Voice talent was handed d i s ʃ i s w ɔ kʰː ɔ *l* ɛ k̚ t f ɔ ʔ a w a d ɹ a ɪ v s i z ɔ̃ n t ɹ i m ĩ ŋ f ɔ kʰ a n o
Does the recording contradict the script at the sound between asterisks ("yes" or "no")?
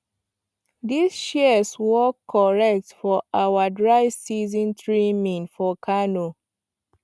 yes